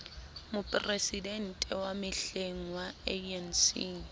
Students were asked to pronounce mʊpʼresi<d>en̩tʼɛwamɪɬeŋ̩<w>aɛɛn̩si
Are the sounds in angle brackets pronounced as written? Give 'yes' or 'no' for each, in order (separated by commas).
yes, yes